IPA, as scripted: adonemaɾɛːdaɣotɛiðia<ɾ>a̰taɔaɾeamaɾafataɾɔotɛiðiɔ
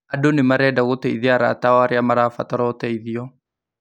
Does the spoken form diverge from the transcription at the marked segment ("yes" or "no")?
no